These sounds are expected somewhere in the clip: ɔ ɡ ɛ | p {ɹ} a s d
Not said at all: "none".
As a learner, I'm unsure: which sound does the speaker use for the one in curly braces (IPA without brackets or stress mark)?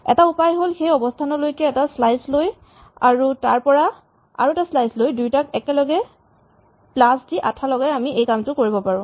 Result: l